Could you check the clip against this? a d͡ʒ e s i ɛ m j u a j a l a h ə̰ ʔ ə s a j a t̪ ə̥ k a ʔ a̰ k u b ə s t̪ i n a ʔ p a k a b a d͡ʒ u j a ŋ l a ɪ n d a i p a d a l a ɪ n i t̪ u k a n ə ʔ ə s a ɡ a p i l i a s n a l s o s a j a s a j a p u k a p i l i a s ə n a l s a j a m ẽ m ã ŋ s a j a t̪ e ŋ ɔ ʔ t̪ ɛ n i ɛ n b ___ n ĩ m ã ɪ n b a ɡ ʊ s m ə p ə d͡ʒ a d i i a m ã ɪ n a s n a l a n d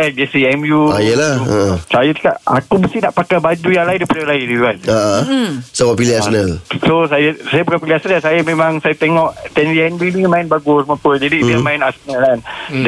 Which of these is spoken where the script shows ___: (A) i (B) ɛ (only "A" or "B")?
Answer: A